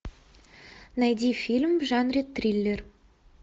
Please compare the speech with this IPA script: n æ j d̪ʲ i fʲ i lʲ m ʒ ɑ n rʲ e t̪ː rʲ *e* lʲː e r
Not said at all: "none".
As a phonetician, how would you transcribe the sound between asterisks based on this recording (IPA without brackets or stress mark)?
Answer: i